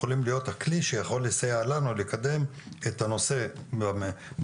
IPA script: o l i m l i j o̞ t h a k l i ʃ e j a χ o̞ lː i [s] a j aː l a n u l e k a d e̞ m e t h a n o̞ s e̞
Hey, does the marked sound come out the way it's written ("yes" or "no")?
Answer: yes